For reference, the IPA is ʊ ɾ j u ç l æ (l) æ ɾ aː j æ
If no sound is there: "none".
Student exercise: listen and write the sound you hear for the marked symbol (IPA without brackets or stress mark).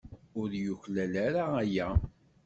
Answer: l